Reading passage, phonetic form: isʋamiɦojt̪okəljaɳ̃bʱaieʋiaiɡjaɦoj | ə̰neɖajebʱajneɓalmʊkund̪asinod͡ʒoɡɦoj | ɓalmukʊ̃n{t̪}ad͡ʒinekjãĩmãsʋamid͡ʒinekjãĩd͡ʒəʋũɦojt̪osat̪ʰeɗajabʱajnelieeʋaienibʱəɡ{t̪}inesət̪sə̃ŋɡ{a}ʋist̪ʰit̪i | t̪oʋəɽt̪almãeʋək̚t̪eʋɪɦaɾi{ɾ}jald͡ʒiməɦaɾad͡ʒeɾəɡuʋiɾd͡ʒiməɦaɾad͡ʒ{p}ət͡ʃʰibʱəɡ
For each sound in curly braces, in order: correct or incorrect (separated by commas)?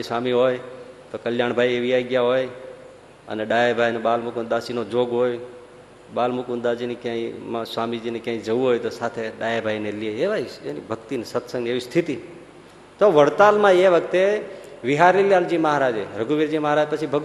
incorrect, correct, incorrect, incorrect, correct